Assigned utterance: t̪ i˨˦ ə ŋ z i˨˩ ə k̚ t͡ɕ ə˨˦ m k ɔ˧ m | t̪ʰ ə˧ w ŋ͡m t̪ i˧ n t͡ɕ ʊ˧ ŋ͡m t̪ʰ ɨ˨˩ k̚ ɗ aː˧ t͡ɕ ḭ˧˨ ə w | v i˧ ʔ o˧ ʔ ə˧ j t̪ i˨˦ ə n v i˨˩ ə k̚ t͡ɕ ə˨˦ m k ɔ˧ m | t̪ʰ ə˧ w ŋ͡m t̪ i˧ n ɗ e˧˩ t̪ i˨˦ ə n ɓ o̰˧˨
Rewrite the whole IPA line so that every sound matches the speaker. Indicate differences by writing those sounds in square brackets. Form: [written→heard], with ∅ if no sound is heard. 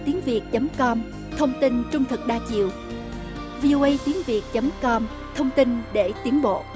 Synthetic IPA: t̪ i˨˦ ə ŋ [z→v] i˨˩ ə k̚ t͡ɕ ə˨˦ m k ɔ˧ m | t̪ʰ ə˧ w ŋ͡m t̪ i˧ n t͡ɕ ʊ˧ ŋ͡m t̪ʰ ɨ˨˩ k̚ ɗ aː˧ t͡ɕ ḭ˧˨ ə w | v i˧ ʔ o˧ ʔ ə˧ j t̪ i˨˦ ə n v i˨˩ ə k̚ t͡ɕ ə˨˦ m k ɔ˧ m | t̪ʰ ə˧ w ŋ͡m t̪ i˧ n ɗ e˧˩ t̪ i˨˦ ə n ɓ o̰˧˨